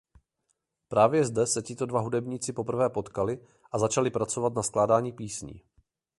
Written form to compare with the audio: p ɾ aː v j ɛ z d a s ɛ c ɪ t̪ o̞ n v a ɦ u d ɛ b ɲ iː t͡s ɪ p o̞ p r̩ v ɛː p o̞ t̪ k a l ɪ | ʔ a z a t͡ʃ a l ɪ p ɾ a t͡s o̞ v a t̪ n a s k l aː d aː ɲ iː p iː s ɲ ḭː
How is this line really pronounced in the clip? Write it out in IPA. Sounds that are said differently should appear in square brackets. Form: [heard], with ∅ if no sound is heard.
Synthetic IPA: p ɾ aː v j ɛ z d [ɛ] s ɛ c ɪ t̪ o̞ [d] v a ɦ u d ɛ b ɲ iː t͡s ɪ p o̞ p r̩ v ɛː p o̞ t̪ k a l ɪ | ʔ a z a t͡ʃ a l ɪ p ɾ a t͡s o̞ v a t̪ n a s k l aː d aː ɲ iː p iː s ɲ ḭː